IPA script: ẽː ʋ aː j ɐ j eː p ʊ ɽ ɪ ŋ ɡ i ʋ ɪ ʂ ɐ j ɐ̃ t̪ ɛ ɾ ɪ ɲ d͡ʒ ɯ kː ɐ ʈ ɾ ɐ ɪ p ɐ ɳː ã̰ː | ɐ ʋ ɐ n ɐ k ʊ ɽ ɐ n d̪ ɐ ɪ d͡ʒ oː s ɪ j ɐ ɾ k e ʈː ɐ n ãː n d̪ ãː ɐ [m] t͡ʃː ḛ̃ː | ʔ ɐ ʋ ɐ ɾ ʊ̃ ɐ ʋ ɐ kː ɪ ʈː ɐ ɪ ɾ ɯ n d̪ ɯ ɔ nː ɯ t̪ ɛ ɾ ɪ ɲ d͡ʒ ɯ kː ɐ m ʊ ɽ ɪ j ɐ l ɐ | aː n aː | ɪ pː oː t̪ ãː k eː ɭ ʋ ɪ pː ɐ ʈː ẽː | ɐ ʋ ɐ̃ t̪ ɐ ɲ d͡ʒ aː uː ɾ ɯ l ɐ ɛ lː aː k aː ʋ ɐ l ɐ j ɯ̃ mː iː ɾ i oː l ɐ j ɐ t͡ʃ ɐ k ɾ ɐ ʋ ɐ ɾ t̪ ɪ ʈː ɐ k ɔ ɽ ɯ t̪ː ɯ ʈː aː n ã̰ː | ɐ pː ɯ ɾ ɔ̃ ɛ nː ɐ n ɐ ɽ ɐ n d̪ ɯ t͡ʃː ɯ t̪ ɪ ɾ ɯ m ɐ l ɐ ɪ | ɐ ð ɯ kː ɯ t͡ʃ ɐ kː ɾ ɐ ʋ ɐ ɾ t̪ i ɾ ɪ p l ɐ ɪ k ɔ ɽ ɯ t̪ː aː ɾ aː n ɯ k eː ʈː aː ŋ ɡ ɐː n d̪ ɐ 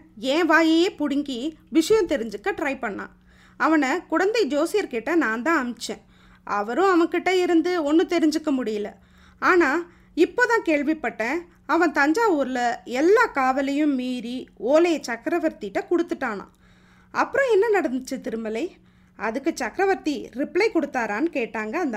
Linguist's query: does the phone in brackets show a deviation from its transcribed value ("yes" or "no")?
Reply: no